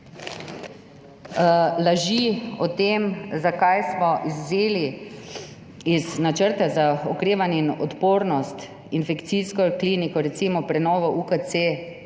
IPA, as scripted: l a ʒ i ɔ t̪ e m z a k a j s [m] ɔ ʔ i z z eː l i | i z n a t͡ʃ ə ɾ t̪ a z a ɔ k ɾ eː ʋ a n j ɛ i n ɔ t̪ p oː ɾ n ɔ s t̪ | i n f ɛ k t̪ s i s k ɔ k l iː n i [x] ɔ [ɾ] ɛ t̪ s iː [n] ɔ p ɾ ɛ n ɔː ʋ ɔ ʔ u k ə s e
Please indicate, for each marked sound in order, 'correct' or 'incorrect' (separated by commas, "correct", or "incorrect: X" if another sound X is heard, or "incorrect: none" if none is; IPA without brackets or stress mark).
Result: correct, incorrect: k, correct, incorrect: m